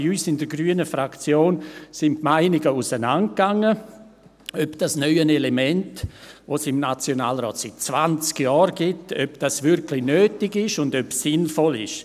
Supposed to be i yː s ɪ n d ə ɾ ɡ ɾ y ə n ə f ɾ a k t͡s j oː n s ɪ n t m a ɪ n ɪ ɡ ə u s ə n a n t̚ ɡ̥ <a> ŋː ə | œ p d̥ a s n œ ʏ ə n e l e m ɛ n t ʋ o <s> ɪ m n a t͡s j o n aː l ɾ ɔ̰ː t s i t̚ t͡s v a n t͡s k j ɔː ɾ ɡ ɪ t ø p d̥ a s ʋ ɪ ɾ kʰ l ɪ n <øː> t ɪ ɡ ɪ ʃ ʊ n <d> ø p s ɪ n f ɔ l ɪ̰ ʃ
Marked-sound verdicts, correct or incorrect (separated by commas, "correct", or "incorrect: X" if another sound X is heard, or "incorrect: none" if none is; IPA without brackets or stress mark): correct, correct, correct, correct